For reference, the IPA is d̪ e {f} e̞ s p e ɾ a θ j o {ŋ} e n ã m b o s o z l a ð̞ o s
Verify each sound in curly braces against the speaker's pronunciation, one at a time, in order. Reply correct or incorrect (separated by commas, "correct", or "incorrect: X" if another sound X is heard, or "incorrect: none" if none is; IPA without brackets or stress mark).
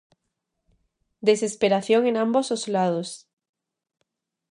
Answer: incorrect: s, correct